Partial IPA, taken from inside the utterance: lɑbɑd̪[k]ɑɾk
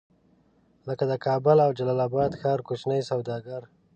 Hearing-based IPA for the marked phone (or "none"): x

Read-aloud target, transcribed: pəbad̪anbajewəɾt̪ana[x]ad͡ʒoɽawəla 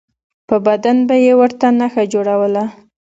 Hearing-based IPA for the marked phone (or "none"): x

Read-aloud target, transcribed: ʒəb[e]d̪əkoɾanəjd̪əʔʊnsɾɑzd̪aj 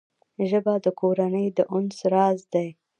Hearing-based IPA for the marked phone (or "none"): a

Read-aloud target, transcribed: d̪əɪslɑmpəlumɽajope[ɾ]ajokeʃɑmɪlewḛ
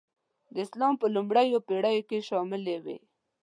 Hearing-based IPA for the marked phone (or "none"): ɽ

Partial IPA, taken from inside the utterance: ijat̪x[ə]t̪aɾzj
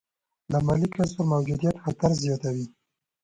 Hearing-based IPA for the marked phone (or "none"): a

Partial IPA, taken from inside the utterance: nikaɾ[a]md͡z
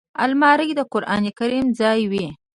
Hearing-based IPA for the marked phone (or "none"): i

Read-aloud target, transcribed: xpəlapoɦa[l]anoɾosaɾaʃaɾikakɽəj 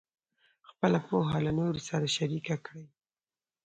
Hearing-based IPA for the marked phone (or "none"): l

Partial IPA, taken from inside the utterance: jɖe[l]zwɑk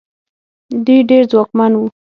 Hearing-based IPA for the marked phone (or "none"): ɾ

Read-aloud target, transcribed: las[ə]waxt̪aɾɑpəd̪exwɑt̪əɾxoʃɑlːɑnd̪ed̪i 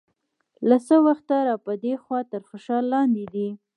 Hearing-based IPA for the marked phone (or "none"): ə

